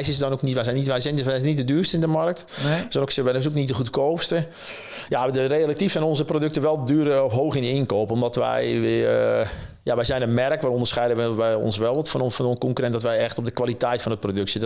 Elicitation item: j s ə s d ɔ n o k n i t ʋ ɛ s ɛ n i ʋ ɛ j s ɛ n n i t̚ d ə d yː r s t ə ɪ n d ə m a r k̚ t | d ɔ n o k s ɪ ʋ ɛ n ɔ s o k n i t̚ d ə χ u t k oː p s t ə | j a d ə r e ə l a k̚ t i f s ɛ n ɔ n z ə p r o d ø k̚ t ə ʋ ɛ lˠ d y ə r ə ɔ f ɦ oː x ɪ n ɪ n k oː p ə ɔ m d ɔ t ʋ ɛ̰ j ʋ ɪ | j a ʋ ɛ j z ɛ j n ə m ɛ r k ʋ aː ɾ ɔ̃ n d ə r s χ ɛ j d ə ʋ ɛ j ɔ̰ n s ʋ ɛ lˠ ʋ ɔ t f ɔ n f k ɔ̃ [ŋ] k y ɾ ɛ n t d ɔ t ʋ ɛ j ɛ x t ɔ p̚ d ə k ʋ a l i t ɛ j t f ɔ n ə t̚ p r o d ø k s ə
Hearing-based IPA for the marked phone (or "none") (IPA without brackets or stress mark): ŋ